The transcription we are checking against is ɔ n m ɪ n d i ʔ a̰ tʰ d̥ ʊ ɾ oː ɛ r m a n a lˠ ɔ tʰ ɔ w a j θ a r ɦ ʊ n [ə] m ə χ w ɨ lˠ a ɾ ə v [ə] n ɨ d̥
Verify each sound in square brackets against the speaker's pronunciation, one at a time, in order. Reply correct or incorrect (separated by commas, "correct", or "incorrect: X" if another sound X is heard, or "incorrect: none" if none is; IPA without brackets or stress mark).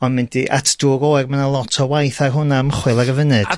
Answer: incorrect: a, correct